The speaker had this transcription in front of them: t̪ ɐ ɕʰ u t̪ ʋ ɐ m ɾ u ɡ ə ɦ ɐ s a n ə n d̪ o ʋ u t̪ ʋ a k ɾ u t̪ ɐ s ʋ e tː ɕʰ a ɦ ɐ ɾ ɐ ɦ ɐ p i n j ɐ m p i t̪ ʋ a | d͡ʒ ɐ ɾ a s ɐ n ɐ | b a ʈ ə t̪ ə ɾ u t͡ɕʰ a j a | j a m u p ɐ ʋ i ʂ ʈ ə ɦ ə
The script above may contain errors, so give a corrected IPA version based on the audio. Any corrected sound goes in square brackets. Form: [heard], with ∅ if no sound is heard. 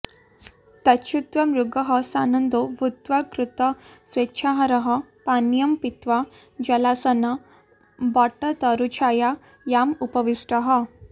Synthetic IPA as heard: t̪ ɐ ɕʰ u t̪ ʋ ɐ m ɾ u ɡ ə ɦ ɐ s a n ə n d̪ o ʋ u t̪ ʋ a k ɾ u t̪ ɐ s ʋ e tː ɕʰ a ɦ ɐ ɾ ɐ ɦ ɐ p [a] n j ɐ m p i t̪ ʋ a | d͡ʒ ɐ [l] a s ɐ n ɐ | b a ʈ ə t̪ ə ɾ u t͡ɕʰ a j a | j a m u p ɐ ʋ i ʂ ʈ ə ɦ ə